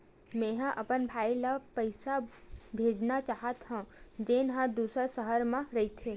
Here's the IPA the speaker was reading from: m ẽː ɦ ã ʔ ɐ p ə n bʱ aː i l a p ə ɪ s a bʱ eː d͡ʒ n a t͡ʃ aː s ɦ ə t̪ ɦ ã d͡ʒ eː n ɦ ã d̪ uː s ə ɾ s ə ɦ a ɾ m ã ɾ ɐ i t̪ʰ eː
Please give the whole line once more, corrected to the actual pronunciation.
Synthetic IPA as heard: m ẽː ɦ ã ʔ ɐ p ə n bʱ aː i l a p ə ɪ s a bʱ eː d͡ʒ n a t͡ʃ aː ɦ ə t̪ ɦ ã d͡ʒ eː n ɦ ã d̪ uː s ə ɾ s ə ɦ ə ɾ m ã ɾ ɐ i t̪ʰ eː